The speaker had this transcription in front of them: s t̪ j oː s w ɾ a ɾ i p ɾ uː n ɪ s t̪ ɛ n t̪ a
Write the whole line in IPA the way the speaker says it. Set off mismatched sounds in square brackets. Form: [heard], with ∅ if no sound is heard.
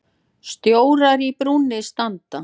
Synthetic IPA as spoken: s t̪ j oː [∅] w ɾ a ɾ i p ɾ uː n ɪ s t̪ [a] n t̪ a